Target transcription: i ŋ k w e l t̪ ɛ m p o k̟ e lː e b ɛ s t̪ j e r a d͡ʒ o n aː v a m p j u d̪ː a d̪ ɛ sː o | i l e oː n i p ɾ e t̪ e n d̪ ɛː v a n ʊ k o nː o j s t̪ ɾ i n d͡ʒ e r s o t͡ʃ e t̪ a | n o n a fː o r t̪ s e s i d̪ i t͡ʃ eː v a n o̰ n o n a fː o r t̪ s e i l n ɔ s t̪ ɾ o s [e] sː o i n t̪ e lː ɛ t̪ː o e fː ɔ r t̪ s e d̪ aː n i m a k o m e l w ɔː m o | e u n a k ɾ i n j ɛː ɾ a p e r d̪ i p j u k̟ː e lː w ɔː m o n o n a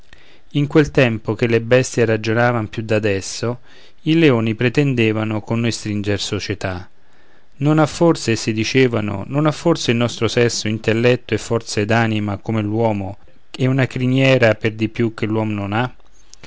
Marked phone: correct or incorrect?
incorrect